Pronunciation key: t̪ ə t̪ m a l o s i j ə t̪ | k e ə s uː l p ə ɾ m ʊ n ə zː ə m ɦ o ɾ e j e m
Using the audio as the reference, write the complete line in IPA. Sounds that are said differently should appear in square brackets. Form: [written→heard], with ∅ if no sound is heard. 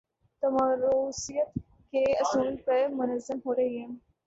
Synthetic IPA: t̪ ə [t̪→∅] m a [l→ɾ] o s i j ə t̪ | k e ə s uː l p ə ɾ m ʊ n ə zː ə m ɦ o ɾ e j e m